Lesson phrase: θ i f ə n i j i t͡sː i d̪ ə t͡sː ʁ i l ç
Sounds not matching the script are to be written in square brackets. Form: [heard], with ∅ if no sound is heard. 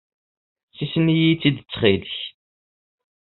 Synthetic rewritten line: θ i [s] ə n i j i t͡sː i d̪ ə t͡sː [χ] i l ç